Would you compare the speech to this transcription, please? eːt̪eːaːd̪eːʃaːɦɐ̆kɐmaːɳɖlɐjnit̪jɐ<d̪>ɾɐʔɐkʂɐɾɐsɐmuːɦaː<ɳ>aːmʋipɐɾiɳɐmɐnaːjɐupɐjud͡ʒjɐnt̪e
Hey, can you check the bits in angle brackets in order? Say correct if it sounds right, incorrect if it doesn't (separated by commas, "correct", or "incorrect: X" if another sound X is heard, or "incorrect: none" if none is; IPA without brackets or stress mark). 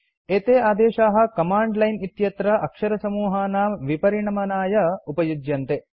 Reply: incorrect: t̪, incorrect: n